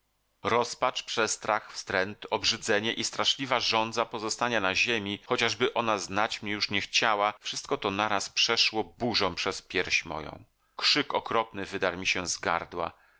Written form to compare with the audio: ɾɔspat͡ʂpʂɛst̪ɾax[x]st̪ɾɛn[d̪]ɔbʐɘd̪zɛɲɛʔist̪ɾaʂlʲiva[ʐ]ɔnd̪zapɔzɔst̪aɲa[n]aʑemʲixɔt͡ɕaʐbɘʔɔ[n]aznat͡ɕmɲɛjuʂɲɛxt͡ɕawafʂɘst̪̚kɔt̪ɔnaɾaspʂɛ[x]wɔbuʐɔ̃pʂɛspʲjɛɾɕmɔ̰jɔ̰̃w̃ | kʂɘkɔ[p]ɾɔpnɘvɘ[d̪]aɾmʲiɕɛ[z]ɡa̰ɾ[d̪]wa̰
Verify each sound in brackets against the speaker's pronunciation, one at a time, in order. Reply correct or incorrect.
incorrect, incorrect, correct, correct, correct, incorrect, incorrect, correct, correct, correct

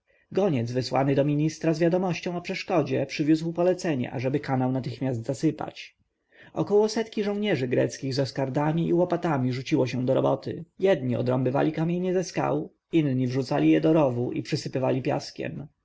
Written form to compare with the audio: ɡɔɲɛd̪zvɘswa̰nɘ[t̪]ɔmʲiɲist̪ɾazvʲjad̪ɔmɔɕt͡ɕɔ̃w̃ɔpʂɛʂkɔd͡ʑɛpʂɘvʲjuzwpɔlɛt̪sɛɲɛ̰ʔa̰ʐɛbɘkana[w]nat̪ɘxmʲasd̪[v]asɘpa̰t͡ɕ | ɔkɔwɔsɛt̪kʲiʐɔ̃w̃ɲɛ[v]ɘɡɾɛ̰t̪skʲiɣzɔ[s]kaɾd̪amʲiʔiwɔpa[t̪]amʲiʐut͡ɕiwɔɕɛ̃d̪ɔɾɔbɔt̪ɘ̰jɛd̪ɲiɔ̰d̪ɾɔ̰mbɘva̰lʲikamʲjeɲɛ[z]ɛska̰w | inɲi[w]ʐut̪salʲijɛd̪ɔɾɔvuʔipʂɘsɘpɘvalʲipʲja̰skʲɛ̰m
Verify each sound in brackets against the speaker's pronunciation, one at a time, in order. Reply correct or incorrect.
incorrect, correct, incorrect, incorrect, correct, correct, correct, incorrect

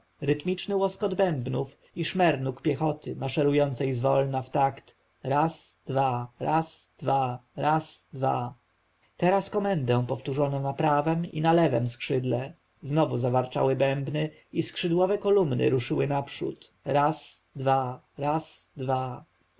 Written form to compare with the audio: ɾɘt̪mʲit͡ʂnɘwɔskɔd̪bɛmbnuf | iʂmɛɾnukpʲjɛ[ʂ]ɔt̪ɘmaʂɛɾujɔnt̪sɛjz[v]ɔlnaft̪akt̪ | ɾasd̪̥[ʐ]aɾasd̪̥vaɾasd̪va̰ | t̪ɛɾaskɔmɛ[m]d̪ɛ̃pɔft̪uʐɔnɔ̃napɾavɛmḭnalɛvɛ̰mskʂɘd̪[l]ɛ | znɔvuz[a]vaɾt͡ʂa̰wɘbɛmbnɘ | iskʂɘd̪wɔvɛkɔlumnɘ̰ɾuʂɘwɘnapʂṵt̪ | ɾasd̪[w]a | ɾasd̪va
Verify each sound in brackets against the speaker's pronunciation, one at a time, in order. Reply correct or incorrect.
incorrect, correct, incorrect, incorrect, correct, correct, incorrect

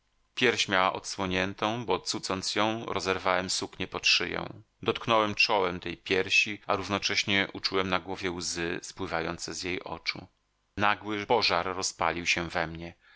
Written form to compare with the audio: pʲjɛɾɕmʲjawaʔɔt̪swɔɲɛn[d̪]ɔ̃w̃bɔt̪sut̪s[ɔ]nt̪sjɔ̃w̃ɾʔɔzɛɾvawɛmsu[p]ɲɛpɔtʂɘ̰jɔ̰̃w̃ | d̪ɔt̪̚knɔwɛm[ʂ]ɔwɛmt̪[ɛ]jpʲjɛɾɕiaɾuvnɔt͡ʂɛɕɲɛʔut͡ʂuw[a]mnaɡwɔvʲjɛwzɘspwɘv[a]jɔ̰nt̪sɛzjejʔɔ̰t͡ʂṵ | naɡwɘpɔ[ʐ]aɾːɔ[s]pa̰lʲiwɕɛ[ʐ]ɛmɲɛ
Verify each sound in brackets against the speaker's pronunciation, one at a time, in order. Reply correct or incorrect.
incorrect, correct, incorrect, incorrect, correct, incorrect, correct, correct, correct, incorrect

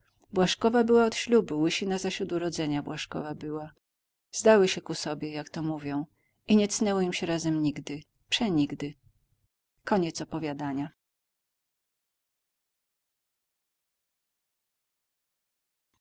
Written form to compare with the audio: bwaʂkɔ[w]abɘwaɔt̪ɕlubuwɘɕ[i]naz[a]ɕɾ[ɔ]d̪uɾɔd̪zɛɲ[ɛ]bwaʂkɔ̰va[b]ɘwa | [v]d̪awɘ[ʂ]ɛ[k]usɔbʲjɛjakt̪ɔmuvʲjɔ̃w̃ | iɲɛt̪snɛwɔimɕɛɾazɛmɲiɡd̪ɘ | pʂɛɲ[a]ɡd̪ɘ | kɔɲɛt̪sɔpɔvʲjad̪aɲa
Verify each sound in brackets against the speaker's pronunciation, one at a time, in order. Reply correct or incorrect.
incorrect, correct, correct, incorrect, incorrect, correct, incorrect, incorrect, correct, incorrect

